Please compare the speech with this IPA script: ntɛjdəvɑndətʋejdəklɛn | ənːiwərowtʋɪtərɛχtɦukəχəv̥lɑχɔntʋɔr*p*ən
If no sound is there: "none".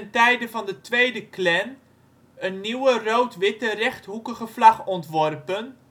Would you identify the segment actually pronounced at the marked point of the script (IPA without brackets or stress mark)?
p